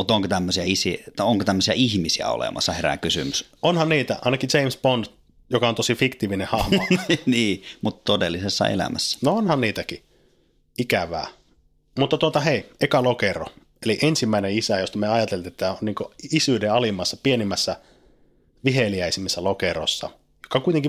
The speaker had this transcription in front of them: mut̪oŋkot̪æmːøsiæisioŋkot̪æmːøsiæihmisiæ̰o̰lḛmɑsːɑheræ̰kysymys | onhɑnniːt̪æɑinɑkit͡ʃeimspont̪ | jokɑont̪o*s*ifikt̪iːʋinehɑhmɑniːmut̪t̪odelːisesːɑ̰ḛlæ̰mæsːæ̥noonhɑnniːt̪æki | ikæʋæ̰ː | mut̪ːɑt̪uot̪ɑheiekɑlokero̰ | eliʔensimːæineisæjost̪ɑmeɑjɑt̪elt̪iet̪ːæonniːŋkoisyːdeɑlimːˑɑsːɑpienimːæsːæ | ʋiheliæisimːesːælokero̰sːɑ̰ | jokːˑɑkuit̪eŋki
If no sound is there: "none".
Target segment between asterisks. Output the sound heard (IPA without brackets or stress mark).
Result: s